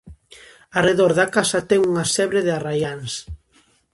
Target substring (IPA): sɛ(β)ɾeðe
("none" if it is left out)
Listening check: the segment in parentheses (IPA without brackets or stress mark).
β